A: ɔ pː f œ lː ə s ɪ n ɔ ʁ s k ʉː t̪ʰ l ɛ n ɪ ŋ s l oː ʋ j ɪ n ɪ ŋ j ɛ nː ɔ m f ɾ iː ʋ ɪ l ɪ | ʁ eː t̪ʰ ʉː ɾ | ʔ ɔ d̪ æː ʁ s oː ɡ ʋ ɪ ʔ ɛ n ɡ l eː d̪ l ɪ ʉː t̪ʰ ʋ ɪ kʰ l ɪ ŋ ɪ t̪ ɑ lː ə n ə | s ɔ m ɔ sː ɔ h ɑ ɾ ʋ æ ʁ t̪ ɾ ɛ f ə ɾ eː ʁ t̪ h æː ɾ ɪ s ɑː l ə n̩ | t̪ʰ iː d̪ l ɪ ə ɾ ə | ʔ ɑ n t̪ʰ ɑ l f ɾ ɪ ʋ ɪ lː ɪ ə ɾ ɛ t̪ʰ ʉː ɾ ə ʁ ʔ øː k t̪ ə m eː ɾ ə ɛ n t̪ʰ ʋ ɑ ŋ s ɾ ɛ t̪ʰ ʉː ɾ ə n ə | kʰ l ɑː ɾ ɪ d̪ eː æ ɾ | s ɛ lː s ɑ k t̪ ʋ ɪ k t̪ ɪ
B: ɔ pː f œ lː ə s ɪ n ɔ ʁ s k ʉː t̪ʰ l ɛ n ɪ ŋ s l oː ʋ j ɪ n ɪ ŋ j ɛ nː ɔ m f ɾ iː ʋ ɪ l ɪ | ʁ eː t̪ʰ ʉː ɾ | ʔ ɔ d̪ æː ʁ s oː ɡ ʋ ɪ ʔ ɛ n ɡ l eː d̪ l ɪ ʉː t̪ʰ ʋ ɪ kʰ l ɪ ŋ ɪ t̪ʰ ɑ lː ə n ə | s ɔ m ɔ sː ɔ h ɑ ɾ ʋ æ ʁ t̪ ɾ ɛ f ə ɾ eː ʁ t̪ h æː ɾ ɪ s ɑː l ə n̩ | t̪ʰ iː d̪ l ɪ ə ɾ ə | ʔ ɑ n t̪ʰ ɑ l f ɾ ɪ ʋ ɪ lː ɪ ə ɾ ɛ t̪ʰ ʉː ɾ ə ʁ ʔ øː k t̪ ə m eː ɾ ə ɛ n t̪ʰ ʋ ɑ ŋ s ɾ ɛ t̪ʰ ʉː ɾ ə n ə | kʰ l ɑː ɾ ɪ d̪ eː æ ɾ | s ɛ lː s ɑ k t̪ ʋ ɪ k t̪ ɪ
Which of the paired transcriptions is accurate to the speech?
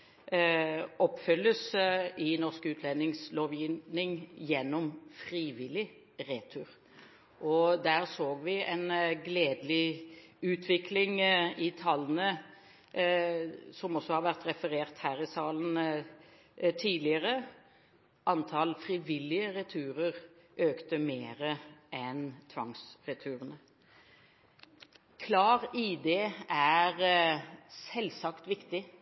B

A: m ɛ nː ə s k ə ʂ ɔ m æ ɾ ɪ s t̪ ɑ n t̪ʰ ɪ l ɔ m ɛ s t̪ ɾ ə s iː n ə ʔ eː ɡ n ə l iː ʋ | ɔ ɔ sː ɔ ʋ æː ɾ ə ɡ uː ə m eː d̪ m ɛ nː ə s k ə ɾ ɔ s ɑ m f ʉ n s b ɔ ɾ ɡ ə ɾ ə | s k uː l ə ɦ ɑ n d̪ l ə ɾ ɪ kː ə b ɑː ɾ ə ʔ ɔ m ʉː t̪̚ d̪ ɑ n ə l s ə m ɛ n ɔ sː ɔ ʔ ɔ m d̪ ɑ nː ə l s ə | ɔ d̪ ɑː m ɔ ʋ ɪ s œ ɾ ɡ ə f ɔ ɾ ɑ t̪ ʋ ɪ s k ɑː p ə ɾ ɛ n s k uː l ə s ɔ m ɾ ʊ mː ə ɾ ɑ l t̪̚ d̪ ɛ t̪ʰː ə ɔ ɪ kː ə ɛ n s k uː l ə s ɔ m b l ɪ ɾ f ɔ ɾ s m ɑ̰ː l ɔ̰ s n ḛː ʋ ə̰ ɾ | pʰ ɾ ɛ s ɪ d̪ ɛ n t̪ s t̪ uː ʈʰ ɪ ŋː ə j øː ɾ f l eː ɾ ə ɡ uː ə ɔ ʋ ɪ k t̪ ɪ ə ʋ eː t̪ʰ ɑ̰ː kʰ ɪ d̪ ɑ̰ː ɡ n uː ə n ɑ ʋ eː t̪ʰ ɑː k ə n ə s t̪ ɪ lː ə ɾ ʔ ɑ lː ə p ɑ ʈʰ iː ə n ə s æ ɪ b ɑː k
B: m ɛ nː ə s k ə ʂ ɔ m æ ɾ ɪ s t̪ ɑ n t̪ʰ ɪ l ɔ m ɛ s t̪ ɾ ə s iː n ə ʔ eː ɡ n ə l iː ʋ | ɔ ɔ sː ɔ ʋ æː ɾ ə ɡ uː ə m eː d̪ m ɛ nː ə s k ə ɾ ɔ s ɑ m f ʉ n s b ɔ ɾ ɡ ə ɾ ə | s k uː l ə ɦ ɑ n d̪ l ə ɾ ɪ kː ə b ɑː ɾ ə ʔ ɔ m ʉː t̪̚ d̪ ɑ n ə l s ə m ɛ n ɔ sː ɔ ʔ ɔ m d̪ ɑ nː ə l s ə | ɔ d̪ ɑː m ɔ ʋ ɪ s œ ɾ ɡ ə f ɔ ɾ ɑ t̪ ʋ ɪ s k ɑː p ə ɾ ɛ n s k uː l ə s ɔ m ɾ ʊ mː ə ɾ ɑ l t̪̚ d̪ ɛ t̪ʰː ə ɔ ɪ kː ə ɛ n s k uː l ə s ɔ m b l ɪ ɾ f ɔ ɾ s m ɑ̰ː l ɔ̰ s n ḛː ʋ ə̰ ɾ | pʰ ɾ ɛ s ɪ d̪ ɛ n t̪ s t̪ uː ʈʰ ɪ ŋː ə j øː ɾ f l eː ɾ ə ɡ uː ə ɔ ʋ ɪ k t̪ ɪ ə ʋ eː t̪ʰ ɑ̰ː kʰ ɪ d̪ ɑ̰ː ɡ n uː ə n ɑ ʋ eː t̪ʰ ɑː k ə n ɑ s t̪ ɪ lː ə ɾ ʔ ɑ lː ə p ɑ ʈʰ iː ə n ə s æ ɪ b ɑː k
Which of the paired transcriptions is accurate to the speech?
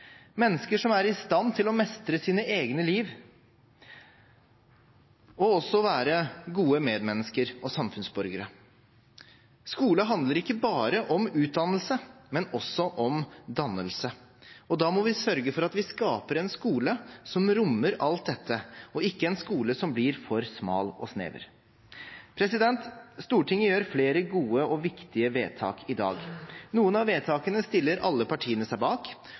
A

